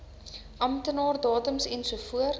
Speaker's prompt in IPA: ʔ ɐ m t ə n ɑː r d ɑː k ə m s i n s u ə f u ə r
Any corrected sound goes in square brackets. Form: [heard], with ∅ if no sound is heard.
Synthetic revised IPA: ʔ ɐ m t ə n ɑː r d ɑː [t] ə m s [ɛ] n s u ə f u ə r

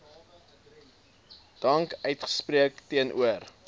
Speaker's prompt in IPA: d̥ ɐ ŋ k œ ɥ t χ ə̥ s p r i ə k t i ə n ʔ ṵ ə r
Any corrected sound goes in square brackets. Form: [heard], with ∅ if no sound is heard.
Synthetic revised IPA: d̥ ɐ ŋ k œ ɥ t χ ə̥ s p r i ə k t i ə n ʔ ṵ ə r

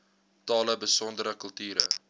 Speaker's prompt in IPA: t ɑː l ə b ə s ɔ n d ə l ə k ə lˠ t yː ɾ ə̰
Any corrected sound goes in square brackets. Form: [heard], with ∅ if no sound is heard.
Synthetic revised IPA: t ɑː l ə b ə s ɔ n d ə [ɾ] ə k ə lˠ t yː ɾ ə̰

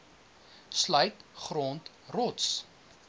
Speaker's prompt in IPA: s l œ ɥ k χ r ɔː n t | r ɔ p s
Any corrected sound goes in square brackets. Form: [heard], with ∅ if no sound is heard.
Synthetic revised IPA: s l œ ɥ [t] χ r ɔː n t | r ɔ [t] s

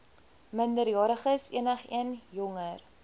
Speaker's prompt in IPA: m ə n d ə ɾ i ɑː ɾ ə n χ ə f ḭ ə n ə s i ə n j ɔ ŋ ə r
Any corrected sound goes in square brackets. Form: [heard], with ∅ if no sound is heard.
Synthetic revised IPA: m ə n d ə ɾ [j] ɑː ɾ ə [∅] χ ə [s] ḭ ə n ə [χ] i ə n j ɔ ŋ ə r

